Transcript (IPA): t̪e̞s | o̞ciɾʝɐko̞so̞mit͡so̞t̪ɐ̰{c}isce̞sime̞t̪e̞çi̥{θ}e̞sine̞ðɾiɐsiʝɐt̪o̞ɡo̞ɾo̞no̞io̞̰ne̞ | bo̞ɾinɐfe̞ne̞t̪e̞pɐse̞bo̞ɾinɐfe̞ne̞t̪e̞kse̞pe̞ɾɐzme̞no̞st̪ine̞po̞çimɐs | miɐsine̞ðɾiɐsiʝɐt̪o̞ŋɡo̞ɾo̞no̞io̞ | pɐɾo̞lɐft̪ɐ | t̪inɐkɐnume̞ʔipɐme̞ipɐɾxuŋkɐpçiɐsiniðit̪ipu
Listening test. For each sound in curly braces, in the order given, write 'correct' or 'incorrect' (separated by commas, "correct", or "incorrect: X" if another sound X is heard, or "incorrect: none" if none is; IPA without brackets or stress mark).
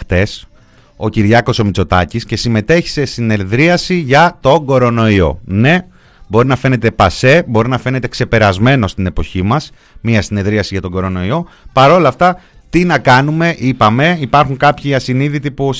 correct, incorrect: s